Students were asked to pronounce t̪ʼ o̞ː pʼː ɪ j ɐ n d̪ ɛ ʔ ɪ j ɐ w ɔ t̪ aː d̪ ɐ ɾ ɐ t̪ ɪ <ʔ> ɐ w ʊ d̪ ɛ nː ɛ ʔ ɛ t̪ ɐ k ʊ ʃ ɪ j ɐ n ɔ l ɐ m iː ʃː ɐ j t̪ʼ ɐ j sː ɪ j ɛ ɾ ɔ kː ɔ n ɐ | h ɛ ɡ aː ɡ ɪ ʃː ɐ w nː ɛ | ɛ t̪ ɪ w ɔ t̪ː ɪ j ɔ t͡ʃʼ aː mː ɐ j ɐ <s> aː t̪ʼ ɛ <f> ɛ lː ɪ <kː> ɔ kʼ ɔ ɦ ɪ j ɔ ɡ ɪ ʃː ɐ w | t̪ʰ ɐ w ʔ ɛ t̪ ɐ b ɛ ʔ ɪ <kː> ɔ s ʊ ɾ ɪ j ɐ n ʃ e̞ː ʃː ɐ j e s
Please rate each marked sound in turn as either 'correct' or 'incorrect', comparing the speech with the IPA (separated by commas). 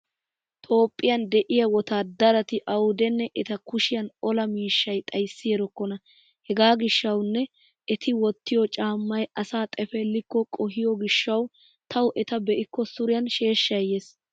correct, correct, correct, correct, correct